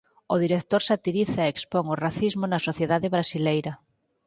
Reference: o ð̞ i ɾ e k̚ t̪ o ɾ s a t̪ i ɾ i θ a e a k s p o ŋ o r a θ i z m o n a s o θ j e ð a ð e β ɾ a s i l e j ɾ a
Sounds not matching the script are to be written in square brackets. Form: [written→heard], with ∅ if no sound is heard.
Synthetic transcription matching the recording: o ð̞ i ɾ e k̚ t̪ o ɾ s a t̪ i ɾ i θ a e [a→e] k s p o ŋ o r a θ i z m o n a s o θ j e ð a ð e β ɾ a s i l e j ɾ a